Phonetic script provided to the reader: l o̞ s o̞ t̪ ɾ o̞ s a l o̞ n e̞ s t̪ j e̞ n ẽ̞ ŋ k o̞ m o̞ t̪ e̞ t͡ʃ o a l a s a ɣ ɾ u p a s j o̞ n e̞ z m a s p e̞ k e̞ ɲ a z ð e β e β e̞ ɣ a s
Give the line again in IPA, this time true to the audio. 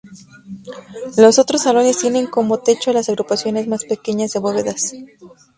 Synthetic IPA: l o̞ s o̞ t̪ ɾ o̞ s a l o̞ n e̞ s t̪ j e̞ n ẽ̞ ŋ k o̞ m o̞ t̪ e̞ t͡ʃ o a l a s a ɣ ɾ u p a s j o̞ n e̞ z m a s p e̞ k e̞ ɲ a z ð e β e β e̞ ð a s